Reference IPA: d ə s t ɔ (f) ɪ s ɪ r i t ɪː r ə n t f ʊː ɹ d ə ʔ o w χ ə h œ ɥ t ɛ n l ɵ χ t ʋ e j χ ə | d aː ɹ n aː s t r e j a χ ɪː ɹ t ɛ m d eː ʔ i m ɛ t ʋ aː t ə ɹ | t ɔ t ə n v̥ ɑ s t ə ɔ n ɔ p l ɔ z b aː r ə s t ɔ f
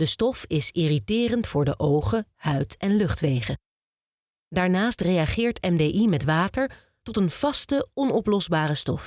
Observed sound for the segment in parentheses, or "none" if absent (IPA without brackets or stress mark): f